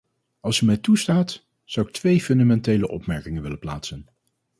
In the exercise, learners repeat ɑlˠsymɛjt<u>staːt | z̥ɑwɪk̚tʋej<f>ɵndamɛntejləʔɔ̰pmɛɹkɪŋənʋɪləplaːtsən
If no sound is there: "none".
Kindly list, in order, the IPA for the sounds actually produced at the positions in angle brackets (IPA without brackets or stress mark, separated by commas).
u, f